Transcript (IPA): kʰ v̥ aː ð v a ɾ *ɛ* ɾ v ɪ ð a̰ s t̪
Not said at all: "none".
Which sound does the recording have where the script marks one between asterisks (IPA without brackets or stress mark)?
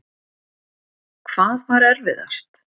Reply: ɛ